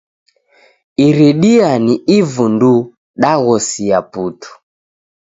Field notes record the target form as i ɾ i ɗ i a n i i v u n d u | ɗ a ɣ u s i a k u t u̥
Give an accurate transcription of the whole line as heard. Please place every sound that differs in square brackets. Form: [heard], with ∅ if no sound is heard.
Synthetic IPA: i ɾ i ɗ i a n i i v u n d u | ɗ a ɣ [ɔ] s i a [p] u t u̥